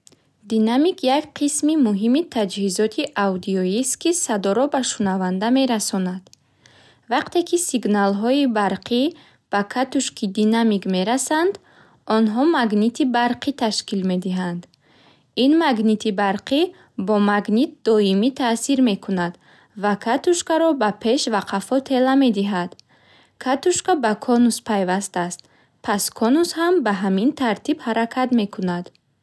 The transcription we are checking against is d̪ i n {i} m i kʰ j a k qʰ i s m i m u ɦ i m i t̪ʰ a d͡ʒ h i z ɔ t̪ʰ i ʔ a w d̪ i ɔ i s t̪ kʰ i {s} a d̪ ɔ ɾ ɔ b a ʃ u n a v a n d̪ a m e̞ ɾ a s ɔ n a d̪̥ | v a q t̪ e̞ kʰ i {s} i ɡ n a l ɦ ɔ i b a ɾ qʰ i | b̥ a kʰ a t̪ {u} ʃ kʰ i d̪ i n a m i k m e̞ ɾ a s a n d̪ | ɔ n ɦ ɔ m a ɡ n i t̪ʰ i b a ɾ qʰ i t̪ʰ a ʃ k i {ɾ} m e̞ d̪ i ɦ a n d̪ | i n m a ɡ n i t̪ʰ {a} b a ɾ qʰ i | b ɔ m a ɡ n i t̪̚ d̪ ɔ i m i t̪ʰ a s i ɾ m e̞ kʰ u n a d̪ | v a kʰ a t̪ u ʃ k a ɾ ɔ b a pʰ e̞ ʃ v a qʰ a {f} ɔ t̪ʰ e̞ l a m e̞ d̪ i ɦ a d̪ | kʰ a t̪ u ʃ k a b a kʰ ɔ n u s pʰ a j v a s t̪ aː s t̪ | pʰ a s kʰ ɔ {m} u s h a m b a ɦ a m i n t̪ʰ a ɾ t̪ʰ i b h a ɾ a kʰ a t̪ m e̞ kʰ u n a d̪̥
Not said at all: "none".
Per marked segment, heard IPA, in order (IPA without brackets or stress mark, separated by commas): a, s, s, u, l, i, f, n